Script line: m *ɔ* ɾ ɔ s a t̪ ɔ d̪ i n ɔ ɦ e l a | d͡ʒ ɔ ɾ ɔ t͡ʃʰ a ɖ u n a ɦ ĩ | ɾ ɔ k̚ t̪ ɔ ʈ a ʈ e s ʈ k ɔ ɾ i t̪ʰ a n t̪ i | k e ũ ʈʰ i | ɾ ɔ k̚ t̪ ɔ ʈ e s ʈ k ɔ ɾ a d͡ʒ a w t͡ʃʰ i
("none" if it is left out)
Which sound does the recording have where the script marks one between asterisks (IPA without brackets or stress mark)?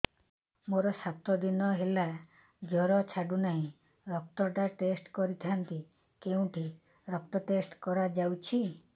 o